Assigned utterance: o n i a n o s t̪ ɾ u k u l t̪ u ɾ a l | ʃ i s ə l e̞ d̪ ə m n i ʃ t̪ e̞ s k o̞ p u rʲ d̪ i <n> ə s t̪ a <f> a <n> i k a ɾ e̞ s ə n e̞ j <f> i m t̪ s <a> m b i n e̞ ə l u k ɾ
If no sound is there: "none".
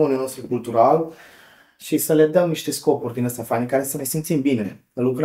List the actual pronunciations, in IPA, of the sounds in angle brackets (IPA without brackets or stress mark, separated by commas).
n, f, n, s, i